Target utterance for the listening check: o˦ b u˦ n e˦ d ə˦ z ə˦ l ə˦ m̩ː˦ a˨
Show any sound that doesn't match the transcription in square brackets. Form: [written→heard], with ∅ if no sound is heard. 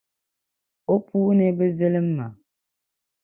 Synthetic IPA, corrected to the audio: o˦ [b→p] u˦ n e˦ [d→b] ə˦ z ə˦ l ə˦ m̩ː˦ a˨